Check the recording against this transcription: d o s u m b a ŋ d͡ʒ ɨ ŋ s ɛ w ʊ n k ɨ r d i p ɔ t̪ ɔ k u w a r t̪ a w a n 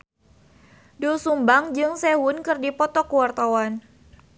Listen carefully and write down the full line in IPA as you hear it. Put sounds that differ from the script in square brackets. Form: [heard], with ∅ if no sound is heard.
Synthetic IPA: d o s u m b a ŋ d͡ʒ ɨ ŋ s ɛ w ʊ n k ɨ r d i p ɔ t̪ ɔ k u w a r t̪ a w a n